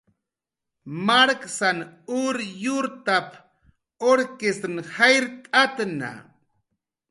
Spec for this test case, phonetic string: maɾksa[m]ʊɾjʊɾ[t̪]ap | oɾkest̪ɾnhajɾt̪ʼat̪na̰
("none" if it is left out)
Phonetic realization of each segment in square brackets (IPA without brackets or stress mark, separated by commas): n, t̪